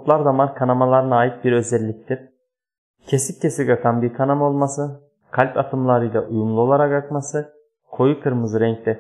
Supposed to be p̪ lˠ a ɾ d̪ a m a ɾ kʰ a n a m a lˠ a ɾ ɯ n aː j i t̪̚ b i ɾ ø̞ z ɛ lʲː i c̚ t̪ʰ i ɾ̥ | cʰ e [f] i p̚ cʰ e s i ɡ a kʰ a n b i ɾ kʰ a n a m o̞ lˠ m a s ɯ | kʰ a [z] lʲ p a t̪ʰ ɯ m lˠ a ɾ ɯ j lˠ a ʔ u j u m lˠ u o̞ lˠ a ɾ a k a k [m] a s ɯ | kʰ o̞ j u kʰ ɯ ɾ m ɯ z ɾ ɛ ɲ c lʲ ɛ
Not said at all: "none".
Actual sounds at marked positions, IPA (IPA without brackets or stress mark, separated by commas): s, none, m